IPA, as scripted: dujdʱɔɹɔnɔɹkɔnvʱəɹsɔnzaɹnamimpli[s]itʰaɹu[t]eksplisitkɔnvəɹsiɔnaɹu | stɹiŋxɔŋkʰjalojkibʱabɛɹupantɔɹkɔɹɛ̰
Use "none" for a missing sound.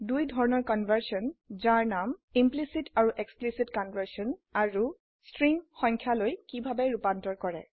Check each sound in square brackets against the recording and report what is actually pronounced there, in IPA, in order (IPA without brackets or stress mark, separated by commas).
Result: s, ʔ